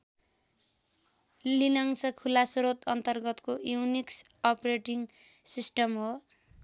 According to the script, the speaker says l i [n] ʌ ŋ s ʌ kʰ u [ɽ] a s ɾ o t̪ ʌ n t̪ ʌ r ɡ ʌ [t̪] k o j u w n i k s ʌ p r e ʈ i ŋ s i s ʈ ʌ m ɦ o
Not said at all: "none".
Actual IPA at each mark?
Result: n, l, t̪

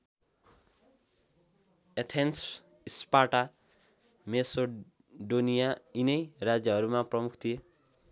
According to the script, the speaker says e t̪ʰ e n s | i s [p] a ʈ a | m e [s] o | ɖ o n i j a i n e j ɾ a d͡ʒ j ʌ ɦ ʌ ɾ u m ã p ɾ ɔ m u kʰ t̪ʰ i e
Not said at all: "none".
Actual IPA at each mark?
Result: p, s

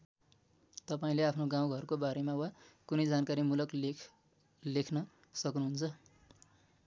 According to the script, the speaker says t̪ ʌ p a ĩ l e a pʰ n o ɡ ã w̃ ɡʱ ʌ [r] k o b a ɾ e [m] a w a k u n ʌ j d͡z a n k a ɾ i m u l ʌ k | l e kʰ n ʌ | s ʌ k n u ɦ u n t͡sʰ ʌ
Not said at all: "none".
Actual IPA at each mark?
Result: r, m

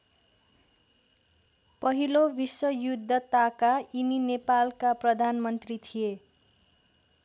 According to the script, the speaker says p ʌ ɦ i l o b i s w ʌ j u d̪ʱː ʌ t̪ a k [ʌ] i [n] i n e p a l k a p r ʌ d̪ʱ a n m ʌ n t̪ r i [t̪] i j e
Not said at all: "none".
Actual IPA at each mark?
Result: a, n, t̪ʰ

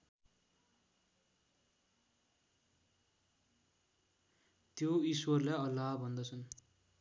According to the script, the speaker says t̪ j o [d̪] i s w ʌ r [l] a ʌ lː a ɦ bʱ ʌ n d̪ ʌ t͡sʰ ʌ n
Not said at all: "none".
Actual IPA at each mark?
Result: none, l

